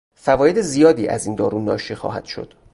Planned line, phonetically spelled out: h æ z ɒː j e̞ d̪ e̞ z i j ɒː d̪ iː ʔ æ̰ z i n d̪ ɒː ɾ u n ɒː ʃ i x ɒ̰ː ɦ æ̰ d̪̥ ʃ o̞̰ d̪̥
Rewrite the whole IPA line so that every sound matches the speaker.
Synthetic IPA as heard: f æ v ɒː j e̞ d̪ e̞ z i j ɒː d̪ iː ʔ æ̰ z i n d̪ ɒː ɾ u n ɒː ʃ i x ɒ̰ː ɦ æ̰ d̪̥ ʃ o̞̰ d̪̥